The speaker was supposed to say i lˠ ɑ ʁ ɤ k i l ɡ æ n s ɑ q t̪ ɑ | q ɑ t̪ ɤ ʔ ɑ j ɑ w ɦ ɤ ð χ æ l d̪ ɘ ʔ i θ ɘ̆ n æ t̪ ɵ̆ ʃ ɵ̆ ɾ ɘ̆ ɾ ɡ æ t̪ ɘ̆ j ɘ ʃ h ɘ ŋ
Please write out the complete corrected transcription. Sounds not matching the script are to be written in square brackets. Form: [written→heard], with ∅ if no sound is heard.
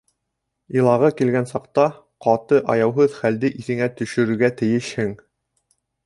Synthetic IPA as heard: i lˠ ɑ ʁ ɤ k i l ɡ æ n s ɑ q t̪ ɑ | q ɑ t̪ ɤ ʔ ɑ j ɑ w ɦ ɤ ð χ æ l d̪ ɘ ʔ i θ ɘ̆ [n→ŋ] æ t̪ ɵ̆ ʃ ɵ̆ ɾ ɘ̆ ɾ ɡ æ t̪ ɘ̆ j ɘ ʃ h ɘ ŋ